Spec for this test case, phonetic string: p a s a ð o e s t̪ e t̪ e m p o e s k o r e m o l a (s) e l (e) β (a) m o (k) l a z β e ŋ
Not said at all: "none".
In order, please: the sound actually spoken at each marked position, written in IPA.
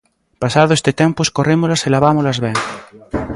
s, a, a, none

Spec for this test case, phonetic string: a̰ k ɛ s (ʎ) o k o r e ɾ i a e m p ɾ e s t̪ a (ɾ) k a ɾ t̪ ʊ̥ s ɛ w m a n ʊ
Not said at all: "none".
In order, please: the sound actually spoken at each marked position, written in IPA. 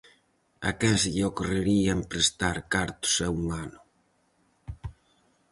ʎ, ɾ

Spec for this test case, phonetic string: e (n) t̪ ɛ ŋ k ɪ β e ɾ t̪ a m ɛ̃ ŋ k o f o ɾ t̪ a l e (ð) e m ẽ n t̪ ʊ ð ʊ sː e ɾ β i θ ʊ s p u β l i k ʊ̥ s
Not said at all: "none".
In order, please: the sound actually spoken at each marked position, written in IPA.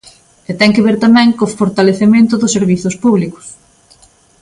none, θ

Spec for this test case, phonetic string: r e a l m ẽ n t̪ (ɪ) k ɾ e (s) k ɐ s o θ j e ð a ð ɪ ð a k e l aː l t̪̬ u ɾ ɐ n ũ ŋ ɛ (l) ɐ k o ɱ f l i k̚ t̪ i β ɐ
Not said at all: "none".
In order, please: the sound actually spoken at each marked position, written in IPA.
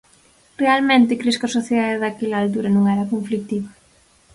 ɪ, s, ɾ

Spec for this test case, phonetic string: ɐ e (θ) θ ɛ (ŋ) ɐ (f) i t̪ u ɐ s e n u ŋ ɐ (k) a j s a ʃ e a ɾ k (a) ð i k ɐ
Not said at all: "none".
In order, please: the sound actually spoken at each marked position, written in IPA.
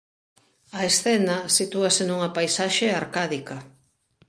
s, n, s, p, a

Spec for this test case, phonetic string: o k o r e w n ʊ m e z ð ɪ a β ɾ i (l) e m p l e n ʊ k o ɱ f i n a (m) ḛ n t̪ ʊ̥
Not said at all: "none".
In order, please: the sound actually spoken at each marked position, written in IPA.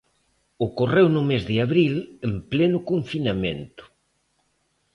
l, m

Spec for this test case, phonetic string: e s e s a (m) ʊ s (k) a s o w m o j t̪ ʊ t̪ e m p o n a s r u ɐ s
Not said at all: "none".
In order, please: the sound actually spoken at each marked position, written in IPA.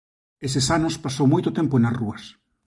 n, p

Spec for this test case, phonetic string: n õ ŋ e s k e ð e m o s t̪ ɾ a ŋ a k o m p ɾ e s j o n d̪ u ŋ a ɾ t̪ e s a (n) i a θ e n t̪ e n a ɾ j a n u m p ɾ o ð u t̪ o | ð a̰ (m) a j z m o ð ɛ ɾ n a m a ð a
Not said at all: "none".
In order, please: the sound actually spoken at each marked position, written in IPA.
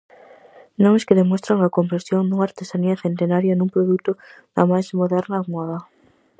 n, m

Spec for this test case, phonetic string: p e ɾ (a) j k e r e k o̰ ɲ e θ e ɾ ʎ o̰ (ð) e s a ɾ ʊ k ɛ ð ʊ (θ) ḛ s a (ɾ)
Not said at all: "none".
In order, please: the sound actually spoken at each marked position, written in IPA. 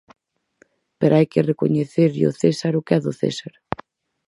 a, θ, θ, ɾ

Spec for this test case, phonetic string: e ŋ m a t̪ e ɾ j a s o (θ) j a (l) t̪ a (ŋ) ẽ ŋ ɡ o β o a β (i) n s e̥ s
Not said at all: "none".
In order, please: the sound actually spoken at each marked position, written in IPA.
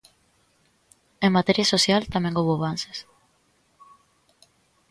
s, l, m, a

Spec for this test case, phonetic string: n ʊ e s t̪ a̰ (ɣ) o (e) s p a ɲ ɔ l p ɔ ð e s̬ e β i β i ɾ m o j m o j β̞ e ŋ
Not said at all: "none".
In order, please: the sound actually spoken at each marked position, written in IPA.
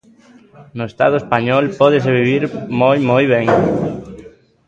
ð, e

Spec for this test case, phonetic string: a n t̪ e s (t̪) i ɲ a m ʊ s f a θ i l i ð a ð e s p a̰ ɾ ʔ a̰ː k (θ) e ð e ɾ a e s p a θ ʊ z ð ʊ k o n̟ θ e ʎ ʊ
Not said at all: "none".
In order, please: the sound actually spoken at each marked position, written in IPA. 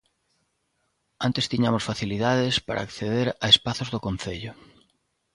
t̪, θ

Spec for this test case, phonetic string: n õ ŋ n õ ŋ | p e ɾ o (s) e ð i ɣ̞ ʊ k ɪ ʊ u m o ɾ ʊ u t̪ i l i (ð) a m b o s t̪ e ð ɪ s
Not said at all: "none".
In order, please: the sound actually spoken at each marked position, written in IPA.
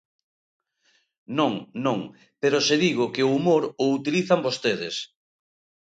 s, θ

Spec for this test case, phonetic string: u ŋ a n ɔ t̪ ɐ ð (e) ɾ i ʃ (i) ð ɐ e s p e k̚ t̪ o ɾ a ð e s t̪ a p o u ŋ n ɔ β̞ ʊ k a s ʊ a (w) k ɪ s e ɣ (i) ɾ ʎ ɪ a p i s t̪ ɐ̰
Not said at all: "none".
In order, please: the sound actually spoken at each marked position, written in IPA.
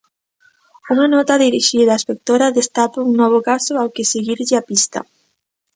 i, i, w, i

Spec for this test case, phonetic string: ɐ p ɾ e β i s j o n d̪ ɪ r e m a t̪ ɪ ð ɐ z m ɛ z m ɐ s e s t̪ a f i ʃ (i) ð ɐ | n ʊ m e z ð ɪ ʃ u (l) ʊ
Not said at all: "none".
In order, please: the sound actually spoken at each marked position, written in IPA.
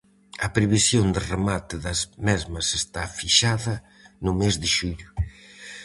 a, ʎ

